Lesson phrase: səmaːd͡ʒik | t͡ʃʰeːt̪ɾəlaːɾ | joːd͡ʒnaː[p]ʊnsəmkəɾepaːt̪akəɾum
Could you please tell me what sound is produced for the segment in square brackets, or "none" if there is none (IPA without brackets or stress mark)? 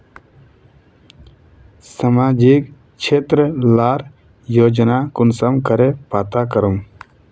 k